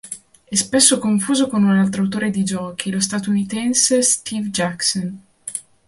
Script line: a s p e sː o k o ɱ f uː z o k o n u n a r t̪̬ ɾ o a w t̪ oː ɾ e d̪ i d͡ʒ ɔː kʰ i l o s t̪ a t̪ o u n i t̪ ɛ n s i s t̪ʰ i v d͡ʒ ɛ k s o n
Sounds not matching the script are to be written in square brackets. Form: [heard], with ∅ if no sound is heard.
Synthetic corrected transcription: [ɛ] s p e sː o k o ɱ f uː z o k o n u n a [l] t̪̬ ɾ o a w t̪ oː ɾ e d̪ i d͡ʒ ɔː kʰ i l o s t̪ a t̪ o u n i t̪ ɛ n s [e] s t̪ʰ i v d͡ʒ [a] k s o n